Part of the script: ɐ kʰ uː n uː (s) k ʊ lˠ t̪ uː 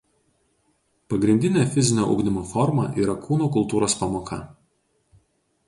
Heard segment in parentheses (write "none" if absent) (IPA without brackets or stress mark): none